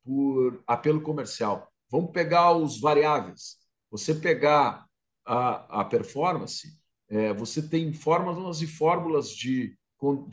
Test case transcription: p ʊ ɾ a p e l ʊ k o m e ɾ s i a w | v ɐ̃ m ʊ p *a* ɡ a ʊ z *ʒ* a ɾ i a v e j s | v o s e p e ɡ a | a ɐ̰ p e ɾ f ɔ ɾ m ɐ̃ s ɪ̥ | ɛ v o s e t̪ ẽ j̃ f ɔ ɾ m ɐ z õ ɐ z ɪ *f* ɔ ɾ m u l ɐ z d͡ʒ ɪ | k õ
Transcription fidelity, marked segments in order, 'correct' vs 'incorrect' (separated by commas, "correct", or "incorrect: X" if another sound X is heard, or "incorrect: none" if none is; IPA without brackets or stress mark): incorrect: e, incorrect: v, correct